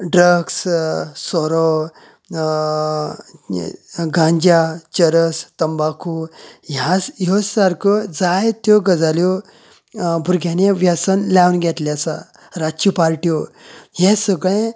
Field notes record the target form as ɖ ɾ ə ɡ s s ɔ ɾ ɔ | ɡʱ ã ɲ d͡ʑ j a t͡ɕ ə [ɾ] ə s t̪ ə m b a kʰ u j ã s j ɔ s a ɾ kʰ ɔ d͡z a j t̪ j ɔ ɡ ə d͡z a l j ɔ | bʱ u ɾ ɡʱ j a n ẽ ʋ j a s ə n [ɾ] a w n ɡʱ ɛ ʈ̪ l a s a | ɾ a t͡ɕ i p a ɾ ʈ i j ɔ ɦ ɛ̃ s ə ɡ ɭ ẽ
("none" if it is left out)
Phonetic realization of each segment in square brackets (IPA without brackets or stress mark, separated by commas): ɾ, l